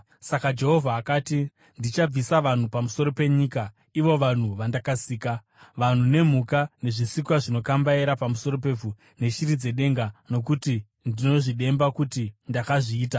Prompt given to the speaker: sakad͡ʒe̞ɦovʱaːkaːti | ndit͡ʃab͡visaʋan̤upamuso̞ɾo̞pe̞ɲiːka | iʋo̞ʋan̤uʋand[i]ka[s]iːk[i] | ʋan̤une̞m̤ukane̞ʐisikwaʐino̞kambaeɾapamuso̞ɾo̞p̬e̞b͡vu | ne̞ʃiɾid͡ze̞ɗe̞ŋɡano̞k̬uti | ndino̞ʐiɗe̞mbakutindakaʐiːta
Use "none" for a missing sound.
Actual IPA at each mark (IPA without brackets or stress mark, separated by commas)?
a, s, a